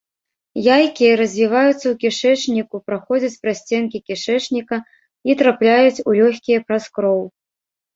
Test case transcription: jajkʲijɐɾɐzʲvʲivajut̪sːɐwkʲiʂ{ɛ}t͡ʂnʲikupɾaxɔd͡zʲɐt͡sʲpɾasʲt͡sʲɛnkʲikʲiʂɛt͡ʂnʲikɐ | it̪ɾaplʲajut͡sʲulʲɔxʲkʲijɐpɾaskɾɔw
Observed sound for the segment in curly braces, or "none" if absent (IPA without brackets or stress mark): ɛ